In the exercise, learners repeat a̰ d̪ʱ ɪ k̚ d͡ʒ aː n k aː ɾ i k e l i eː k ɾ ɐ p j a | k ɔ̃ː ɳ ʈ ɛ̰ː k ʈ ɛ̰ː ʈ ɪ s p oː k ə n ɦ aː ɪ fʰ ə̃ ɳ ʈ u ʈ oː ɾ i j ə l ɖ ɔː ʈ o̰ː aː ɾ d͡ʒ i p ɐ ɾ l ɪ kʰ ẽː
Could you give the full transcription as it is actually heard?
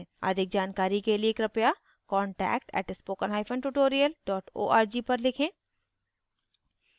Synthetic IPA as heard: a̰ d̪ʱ ɪ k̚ d͡ʒ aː n k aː ɾ i k e l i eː k ɾ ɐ p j a | k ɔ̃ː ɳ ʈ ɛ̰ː k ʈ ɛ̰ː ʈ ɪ s p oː k ə n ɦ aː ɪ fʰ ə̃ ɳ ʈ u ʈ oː ɾ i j ə l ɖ ɔː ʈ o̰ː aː ɾ d͡ʒ i p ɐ ɾ l ɪ kʰ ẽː